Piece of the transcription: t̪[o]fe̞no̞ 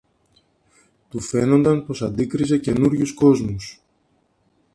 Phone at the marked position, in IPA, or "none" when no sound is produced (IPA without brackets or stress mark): u